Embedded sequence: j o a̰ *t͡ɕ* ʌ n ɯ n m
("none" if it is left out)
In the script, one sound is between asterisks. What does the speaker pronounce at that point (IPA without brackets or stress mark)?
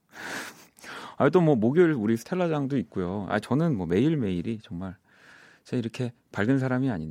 t͡ɕ